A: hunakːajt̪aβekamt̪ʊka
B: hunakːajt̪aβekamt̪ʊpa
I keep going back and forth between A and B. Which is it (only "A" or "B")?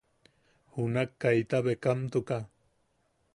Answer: A